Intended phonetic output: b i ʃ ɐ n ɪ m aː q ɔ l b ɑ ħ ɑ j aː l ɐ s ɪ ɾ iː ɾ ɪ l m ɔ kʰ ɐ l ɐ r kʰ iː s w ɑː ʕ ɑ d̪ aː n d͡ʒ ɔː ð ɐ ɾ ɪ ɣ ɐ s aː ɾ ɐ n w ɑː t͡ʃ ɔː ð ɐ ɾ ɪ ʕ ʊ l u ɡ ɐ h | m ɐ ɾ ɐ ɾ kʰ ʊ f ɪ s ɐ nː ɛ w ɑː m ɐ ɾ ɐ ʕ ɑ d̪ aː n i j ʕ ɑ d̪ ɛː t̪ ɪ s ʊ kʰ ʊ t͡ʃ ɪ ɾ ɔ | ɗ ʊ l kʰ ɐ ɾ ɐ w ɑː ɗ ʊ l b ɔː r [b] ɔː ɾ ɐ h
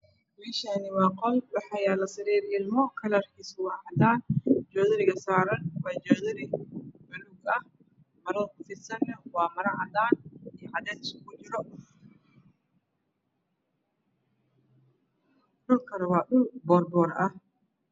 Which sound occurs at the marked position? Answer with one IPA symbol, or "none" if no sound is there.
b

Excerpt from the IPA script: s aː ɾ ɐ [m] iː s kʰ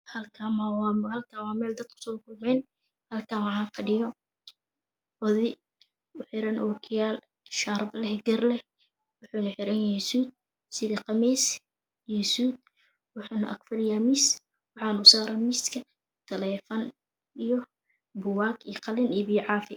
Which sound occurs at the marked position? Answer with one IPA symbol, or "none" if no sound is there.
m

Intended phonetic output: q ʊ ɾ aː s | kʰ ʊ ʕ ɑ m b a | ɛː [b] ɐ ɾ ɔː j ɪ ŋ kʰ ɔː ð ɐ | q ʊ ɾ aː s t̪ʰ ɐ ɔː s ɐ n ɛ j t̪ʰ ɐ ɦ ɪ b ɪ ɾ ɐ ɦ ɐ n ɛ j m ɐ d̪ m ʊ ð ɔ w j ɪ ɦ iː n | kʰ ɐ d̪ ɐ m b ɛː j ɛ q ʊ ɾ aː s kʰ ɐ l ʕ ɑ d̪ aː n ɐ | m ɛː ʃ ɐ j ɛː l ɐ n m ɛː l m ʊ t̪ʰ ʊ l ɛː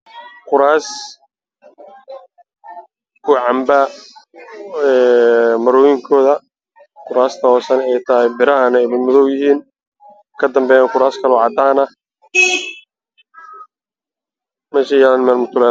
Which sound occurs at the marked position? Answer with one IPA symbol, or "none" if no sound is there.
m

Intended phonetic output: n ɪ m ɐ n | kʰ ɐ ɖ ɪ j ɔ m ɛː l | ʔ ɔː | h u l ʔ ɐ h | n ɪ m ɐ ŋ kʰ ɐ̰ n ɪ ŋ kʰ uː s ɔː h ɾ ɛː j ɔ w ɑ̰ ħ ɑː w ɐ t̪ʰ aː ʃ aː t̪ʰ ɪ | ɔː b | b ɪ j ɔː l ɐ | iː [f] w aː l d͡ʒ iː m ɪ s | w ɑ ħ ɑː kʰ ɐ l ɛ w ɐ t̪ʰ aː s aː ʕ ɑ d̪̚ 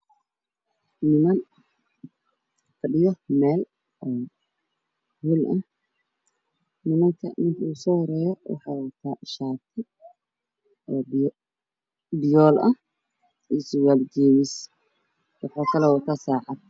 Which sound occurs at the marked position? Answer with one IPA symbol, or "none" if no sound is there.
s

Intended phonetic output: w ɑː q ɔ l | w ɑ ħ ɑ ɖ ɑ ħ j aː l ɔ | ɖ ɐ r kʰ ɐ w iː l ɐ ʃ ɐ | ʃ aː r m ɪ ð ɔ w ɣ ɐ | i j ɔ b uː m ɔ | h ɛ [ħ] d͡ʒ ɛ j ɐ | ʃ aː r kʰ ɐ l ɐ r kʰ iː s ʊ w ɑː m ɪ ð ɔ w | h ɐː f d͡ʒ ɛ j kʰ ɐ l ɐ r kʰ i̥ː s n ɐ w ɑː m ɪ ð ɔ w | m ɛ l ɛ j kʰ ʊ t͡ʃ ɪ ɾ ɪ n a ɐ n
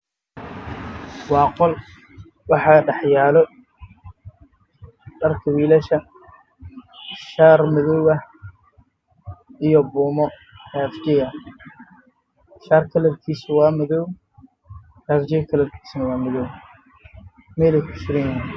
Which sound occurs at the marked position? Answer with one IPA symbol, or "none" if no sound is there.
f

